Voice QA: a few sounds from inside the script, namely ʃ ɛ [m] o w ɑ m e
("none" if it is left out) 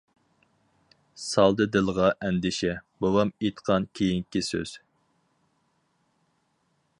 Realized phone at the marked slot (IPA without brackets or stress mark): b